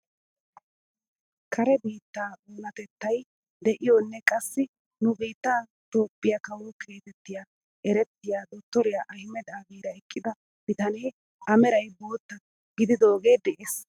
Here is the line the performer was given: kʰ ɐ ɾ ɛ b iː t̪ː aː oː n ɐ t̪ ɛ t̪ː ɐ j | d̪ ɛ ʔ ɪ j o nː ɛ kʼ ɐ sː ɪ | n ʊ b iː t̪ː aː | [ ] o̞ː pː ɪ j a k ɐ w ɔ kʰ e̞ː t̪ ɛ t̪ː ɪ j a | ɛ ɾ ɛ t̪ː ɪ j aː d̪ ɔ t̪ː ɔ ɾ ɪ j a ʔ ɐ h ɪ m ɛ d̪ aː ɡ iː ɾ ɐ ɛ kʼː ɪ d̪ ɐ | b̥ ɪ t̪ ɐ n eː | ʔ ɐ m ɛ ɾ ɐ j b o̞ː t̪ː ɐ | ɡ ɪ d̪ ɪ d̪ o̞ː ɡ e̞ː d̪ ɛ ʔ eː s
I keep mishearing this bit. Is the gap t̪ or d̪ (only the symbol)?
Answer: t̪